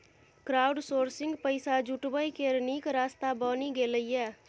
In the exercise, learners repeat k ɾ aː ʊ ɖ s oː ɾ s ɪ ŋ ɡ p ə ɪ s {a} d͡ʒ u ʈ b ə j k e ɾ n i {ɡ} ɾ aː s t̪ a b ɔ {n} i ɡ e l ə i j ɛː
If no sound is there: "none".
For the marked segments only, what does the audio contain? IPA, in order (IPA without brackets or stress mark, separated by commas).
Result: a, k, n